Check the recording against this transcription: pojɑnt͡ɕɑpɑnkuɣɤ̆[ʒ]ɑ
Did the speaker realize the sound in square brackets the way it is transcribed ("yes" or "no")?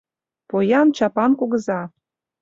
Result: no